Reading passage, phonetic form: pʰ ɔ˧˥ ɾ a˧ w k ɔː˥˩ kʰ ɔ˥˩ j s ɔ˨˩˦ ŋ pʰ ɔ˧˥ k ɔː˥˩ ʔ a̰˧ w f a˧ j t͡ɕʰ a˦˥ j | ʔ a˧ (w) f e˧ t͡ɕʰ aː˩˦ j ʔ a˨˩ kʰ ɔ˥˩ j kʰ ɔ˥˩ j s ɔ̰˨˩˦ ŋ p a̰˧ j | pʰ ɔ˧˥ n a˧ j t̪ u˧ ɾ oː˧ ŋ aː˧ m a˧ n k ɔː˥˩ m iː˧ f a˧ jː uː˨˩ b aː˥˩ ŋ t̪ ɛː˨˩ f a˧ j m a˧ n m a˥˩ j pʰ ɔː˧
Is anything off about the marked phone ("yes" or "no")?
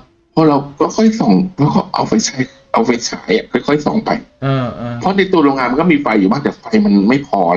no